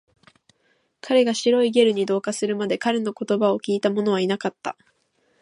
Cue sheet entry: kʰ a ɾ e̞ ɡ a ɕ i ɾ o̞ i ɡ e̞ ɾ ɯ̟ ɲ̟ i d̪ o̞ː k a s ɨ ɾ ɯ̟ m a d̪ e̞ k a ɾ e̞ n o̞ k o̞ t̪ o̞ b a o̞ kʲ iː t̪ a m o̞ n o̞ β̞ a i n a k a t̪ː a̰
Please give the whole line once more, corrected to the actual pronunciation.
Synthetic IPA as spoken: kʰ a ɾ e̞ ɡ a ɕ i ɾ o̞ i ɡ e̞ ɾ ɯ̟ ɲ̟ i d̪ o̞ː k a s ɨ ɾ ɯ̟ m a d̪ e̞ k a ɾ e̞ n o̞ k o̞ t̪ o̞ b a o̞ kʲ iː t̪ a m o̞ n o̞ β̞ a i n a k a t̪ː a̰

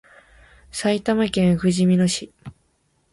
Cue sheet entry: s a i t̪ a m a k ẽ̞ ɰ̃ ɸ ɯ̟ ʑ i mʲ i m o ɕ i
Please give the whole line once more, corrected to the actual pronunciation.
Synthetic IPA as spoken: s a i t̪ a m a k ẽ̞ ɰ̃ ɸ ɯ̟ ʑ i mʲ i n o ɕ i

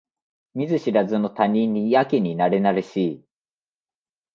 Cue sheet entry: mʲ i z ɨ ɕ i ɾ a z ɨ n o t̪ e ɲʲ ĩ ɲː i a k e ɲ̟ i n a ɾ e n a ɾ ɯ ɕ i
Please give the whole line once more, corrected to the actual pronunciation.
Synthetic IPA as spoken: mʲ i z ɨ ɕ i ɾ a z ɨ n o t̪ a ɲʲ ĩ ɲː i a k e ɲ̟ i n a ɾ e n a ɾ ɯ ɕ i

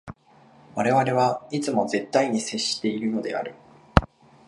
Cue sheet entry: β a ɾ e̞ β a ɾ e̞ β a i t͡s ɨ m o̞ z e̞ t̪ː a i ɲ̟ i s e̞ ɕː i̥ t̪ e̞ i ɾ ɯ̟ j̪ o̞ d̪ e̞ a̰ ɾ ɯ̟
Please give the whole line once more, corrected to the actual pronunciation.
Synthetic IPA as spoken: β a ɾ e̞ β a ɾ e̞ β a i t͡s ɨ m o̞ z e̞ t̪ː a i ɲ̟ i s e̞ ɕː i̥ t̪ e̞ i ɾ ɯ̟ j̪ o̞ d̪ e̞ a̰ ɾ ɯ̟

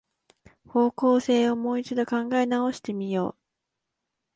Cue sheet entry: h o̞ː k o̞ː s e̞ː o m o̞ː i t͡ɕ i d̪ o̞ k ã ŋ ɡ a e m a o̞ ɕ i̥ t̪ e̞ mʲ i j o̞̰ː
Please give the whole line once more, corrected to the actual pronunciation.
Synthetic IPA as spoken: h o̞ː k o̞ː s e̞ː o m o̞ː i t͡ɕ i d̪ o̞ k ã ŋ ɡ a e n a o̞ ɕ i̥ t̪ e̞ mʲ i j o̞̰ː

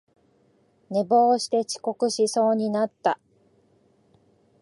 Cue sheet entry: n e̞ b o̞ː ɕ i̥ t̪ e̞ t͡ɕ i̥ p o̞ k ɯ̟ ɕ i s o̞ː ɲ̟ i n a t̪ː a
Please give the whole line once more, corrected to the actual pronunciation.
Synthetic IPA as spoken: n e̞ b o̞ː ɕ i̥ t̪ e̞ t͡ɕ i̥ k o̞ k ɯ̟ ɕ i s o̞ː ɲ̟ i n a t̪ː a

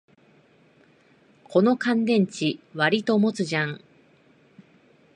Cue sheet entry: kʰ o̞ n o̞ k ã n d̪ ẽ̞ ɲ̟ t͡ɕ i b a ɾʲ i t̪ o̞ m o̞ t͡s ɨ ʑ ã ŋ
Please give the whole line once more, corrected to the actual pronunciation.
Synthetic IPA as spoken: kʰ o̞ n o̞ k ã n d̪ ẽ̞ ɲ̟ t͡ɕ i β a ɾʲ i t̪ o̞ m o̞ t͡s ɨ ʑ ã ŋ

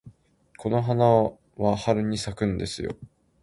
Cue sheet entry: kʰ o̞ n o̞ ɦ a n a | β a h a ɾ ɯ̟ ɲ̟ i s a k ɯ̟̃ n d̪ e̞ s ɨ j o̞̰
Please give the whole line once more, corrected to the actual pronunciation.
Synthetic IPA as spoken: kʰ o̞ n o̞ ɦ a n a | β a h a ɾ ɯ̟ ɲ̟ i s a k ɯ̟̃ n d̪ e̞ s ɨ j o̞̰

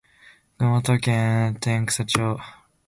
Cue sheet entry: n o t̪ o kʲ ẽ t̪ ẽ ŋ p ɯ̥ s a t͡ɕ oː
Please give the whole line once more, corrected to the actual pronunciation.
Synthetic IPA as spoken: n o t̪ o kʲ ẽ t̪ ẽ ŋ k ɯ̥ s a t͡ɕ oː

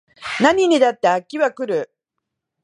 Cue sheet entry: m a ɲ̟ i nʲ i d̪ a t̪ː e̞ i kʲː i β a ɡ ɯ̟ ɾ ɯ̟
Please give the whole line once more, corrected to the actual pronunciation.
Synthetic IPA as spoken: n a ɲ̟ i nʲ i d̪ a t̪ː e̞ a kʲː i β a k ɯ̟ ɾ ɯ̟

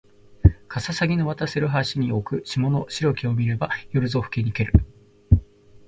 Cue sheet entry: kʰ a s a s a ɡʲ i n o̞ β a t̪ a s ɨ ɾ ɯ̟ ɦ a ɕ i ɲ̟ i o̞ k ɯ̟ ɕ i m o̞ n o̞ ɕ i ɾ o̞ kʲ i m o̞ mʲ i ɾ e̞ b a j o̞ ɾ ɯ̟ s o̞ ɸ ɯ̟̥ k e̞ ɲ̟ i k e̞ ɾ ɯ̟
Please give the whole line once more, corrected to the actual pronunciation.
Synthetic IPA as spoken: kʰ a s a s a ɡʲ i n o̞ β a t̪ a s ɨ ɾ ɯ̟ ɦ a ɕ i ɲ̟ i o̞ k ɯ̟ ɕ i m o̞ n o̞ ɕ i ɾ o̞ kʲ i o̞ mʲ i ɾ e̞ b a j o̞ ɾ ɯ̟ z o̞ ɸ ɯ̟̥ k e̞ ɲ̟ i k e̞ ɾ ɯ̟

